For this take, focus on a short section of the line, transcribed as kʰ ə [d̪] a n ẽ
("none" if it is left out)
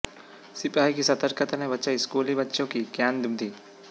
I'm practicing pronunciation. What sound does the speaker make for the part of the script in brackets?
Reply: t̪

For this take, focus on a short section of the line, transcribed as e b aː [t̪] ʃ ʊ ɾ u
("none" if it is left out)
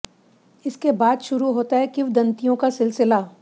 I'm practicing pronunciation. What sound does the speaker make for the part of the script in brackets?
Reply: d̪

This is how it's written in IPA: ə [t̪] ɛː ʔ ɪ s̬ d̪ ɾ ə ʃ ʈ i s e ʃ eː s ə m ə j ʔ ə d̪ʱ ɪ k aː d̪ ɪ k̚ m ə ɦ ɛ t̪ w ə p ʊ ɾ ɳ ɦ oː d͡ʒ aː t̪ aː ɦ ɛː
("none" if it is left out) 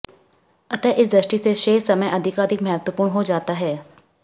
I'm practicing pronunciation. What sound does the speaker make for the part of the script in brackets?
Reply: t̪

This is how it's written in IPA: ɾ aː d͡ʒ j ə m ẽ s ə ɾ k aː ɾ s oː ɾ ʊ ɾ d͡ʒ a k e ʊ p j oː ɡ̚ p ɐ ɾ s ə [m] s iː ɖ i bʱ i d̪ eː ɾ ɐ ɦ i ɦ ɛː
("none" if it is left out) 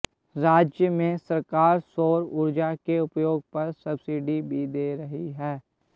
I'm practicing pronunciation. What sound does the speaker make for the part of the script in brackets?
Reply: b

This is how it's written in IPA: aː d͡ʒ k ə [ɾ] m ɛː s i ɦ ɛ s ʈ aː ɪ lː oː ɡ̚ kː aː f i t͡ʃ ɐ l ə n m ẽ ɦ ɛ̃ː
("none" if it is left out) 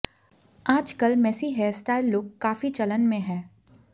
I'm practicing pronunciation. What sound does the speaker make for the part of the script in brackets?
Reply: l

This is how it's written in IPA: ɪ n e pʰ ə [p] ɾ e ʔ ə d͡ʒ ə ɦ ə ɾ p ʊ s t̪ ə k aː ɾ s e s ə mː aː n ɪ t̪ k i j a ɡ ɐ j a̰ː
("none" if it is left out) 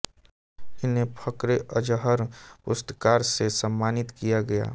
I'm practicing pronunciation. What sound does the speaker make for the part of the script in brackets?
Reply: k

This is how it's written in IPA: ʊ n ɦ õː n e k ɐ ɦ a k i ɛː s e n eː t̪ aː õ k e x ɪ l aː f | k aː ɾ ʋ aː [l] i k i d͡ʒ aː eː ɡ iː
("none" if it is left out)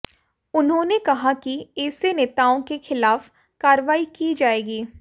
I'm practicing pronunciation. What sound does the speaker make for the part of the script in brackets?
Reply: none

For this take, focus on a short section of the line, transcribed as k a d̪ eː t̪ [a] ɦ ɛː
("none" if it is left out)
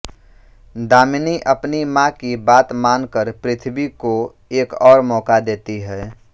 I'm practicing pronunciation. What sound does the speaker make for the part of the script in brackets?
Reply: i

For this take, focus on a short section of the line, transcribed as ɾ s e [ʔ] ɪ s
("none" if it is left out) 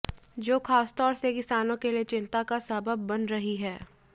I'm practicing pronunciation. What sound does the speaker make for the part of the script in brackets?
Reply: k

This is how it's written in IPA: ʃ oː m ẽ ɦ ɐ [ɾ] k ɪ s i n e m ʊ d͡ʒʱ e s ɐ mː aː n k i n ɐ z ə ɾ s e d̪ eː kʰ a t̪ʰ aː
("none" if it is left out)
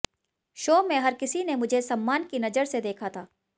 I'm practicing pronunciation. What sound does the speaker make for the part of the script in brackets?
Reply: ɾ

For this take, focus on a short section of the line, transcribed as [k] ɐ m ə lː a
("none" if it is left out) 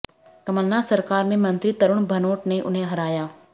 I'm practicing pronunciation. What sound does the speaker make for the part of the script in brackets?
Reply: k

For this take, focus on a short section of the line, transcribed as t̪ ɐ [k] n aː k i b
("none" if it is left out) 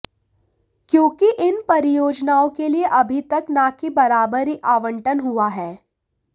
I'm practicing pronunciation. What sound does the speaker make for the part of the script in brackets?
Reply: k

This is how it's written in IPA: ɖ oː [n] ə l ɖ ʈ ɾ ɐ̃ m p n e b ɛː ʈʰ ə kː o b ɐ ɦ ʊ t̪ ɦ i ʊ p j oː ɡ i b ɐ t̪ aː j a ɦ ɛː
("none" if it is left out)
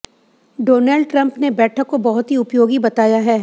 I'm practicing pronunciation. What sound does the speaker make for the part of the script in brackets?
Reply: n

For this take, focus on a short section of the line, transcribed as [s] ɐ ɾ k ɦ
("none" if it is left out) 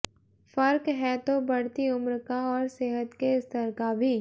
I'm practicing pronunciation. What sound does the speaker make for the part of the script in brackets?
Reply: f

